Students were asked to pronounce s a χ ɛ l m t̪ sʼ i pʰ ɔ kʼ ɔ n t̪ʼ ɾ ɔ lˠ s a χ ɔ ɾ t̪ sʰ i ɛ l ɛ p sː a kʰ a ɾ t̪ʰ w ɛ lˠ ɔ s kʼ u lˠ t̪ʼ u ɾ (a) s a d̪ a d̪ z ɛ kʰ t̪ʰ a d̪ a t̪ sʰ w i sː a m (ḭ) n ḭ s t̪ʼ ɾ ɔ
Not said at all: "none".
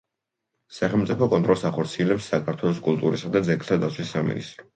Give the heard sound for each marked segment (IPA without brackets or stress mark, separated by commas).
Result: i, ḭ